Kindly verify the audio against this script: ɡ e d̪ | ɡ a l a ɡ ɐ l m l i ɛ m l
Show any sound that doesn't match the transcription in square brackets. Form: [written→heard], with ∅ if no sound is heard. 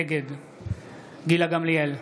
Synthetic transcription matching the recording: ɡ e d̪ | ɡ [a→i] l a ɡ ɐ [l→∅] m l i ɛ [m→∅] l